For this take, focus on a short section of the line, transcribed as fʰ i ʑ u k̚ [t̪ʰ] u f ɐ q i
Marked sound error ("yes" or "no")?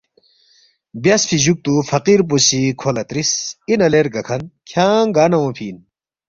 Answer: yes